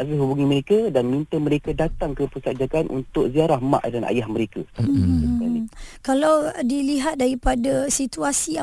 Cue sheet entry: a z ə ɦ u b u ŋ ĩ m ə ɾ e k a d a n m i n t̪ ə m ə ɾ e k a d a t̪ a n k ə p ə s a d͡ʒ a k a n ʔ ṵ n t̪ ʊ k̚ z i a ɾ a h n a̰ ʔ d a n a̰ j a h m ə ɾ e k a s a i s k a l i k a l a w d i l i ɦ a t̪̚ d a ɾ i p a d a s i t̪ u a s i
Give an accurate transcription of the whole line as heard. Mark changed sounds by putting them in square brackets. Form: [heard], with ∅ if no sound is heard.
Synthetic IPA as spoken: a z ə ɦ u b u ŋ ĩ m ə ɾ e k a d a n m i n t̪ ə m ə ɾ e k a d a t̪ a [ŋ] k ə p ə s a d͡ʒ a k a n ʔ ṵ n t̪ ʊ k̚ z i a ɾ a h [m] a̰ ʔ d a n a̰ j a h m ə ɾ e k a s a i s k a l i k a l a w d i l i ɦ a t̪̚ d a ɾ i p a d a s i t̪ u a s i